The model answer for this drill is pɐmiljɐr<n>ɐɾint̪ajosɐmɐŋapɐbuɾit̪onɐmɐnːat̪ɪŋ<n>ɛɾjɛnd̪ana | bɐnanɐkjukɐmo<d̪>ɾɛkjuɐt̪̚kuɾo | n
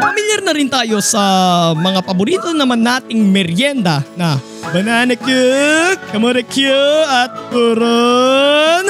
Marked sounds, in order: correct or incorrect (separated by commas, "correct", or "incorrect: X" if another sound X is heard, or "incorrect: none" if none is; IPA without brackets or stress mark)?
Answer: correct, incorrect: m, incorrect: none